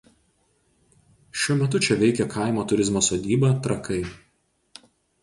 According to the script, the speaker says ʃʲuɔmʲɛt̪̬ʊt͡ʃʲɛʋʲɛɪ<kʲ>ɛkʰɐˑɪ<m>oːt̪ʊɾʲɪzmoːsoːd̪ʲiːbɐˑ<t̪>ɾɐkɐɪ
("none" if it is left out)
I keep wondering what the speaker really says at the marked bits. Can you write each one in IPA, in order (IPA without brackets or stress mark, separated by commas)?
kʲ, m, t̪